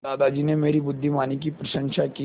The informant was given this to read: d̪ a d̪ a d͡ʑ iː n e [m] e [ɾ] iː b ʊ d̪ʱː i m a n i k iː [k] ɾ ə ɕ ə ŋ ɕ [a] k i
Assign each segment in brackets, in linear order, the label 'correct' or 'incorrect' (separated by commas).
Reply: correct, correct, incorrect, correct